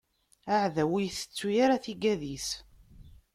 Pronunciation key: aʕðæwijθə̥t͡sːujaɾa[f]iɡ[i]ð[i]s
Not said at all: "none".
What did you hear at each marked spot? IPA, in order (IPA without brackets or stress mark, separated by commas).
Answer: θ, æ, i